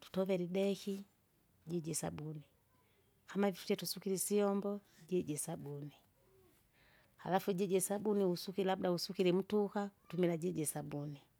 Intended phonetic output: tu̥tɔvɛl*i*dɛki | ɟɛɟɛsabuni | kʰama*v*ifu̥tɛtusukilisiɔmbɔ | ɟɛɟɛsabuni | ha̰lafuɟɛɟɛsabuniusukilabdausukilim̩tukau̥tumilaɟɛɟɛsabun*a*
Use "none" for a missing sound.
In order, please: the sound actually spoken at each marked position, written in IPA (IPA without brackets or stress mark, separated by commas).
i, v, i